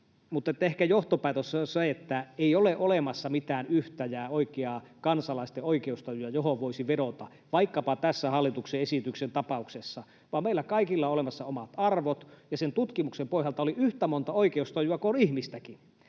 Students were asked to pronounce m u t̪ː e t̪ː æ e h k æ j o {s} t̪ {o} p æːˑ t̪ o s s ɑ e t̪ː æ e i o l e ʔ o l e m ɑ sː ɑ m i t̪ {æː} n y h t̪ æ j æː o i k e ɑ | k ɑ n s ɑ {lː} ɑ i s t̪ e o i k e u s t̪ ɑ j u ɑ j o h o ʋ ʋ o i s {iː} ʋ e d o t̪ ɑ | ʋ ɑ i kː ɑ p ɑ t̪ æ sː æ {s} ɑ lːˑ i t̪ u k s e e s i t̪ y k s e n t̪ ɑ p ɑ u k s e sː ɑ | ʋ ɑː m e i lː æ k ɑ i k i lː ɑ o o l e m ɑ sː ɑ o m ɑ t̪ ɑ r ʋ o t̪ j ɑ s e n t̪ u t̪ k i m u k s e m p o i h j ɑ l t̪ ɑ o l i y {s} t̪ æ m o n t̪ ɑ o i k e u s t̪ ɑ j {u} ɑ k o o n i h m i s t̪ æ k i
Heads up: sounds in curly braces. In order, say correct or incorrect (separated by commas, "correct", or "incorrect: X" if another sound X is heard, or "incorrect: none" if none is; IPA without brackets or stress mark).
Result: incorrect: h, correct, correct, incorrect: l, incorrect: i, incorrect: h, incorrect: h, correct